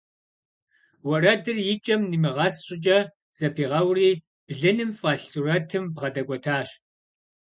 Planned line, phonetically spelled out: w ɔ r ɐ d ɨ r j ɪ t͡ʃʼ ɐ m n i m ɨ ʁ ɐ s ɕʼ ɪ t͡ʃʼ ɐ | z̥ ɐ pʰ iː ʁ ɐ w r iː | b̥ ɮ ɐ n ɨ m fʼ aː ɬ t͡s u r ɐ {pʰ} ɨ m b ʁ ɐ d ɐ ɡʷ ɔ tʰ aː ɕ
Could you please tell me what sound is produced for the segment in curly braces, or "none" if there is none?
tʰ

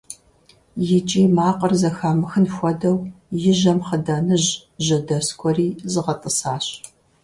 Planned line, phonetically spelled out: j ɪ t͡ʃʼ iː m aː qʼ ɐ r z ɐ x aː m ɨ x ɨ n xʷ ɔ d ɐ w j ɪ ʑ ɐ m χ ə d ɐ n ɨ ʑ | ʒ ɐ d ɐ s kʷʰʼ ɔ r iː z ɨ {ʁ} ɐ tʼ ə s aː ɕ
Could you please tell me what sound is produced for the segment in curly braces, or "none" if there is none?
ʁ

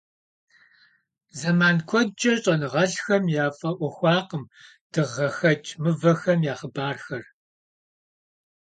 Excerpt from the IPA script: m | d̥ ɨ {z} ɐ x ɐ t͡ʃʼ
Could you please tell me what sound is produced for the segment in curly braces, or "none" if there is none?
ʁ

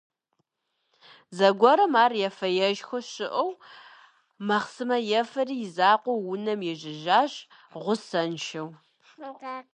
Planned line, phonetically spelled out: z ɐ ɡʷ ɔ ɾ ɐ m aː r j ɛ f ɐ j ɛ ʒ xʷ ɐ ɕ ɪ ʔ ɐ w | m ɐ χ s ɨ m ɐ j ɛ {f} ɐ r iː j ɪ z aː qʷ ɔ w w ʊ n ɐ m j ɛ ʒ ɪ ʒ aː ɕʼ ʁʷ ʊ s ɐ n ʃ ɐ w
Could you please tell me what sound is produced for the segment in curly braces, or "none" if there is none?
f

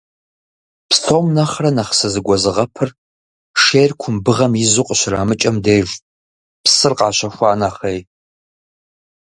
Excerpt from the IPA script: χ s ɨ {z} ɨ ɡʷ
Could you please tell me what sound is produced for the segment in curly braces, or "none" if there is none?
z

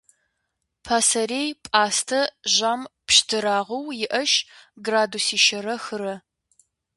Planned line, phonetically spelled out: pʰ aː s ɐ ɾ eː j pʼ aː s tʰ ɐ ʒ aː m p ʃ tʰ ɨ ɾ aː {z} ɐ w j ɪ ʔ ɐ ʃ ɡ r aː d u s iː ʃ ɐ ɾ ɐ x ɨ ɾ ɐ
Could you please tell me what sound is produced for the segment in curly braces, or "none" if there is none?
ʁ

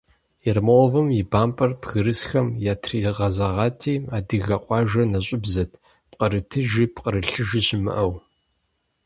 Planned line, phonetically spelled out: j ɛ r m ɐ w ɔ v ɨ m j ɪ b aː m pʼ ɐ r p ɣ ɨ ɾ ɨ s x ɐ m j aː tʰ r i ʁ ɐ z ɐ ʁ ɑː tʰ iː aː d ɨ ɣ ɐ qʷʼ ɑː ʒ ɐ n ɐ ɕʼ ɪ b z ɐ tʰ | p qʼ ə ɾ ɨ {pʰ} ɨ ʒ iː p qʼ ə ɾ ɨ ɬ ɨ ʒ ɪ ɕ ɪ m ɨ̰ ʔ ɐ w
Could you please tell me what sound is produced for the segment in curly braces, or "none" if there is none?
tʰ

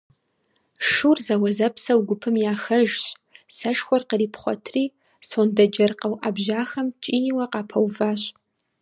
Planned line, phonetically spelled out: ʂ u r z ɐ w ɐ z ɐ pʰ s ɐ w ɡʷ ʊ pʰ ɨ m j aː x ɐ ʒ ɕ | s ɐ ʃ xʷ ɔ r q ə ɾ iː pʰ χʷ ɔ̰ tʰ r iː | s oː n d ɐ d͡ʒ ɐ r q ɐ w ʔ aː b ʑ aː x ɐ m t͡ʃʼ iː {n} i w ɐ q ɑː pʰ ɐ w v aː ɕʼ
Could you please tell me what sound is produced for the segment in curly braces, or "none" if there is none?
n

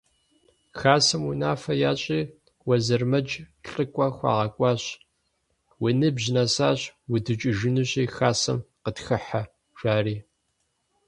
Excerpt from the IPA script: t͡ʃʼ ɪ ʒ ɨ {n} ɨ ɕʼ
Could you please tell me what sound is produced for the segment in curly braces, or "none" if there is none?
n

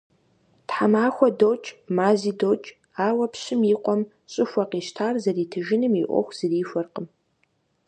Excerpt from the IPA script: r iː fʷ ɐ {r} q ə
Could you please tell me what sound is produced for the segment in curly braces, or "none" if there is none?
r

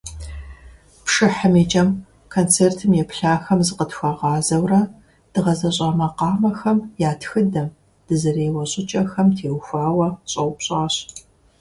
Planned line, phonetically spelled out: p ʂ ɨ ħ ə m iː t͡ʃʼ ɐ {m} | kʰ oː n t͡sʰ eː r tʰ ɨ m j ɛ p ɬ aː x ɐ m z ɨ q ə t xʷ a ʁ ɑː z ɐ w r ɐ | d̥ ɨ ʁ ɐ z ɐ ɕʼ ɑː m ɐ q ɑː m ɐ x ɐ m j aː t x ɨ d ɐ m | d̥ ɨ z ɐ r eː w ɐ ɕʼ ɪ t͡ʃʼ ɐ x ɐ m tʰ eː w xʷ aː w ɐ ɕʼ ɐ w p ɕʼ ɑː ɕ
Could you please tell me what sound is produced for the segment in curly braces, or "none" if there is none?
m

